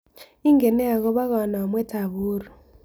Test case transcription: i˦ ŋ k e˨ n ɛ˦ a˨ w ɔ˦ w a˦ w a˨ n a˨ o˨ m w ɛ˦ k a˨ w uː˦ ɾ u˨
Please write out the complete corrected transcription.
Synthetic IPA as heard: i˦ ŋ ɡ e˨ n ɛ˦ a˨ ɣ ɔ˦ β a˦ ɣ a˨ n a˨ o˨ m w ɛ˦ t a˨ β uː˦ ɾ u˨